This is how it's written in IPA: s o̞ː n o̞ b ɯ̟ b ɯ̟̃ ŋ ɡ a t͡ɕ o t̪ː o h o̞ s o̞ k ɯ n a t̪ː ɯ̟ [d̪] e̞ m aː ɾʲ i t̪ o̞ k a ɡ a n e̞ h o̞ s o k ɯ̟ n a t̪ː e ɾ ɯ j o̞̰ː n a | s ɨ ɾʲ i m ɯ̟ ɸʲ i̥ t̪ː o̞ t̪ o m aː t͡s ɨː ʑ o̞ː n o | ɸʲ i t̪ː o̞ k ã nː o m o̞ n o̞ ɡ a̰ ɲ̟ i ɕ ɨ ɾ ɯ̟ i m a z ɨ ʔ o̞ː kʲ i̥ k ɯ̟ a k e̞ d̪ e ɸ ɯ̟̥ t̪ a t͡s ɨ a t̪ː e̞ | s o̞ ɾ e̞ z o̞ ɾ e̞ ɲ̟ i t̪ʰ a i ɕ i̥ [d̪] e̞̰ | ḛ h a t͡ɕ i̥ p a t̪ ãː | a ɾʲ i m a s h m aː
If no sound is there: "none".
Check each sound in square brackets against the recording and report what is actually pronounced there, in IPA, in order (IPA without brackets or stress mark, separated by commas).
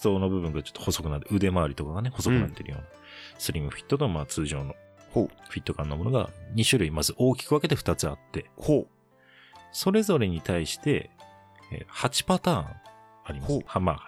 d̪, t̪